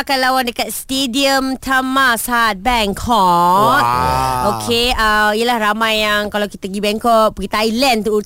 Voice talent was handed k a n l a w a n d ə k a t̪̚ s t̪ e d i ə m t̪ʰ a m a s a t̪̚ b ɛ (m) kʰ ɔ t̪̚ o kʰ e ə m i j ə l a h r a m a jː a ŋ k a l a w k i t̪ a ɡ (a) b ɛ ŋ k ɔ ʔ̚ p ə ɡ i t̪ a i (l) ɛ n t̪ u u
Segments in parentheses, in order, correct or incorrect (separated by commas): incorrect, incorrect, correct